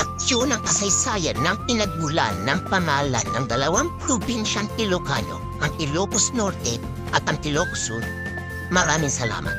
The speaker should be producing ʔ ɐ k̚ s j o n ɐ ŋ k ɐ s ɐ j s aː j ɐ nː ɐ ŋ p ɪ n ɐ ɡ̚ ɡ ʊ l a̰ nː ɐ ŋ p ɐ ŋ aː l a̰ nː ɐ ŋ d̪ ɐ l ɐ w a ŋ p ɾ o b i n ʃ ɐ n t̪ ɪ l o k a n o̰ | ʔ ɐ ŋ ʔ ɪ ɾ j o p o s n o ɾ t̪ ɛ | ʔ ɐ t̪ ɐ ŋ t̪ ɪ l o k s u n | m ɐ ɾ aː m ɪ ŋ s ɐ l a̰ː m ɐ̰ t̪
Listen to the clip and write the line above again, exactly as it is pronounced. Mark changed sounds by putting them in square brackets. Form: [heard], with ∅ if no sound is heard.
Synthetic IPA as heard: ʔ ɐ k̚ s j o n ɐ ŋ k ɐ s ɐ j s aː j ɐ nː ɐ ŋ p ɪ n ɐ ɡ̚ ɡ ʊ l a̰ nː ɐ ŋ p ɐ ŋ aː l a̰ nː ɐ ŋ d̪ ɐ l ɐ w a ŋ p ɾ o b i n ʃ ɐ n t̪ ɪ l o k a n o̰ | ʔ ɐ ŋ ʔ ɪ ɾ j o p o s n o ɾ t̪ ɛ | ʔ ɐ t̪ ɐ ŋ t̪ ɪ l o k s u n | m ɐ ɾ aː m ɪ ŋ s ɐ l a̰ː m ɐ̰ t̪